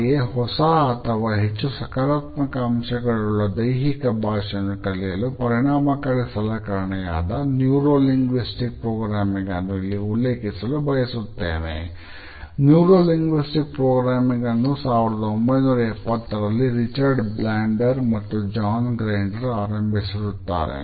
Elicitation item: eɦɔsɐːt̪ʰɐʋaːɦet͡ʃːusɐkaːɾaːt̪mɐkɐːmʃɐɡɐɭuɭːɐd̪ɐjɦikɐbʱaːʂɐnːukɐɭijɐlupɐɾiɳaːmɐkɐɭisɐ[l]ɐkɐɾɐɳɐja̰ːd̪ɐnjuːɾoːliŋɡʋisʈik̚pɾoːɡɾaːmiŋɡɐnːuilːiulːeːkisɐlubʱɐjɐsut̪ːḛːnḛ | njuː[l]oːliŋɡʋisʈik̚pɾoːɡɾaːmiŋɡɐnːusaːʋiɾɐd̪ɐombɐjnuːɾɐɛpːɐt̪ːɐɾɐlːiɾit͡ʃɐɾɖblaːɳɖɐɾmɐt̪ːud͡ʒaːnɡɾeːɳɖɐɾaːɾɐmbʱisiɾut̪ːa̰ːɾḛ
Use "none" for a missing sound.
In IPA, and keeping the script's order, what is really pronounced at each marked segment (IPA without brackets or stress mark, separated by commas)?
l, ɾ